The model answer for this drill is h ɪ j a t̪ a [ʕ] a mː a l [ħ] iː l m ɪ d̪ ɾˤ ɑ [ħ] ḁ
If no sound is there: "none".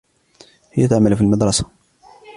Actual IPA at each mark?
ʕ, f, s

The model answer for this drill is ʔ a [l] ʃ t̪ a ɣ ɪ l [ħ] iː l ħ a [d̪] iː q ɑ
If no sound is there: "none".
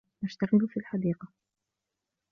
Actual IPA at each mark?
none, f, d̪

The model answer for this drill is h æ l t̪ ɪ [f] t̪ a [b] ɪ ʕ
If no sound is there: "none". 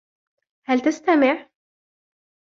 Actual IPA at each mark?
s, m

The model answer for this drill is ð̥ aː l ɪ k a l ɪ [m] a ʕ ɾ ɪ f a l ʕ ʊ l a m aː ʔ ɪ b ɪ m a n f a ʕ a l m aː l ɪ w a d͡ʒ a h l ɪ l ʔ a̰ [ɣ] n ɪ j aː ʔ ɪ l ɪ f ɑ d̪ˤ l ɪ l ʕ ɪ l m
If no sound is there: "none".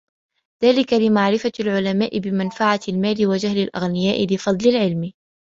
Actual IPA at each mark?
m, ɣ

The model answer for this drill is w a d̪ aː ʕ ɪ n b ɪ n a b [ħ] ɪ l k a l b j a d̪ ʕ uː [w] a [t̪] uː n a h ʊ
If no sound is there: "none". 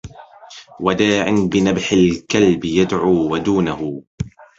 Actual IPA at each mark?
ħ, w, d̪

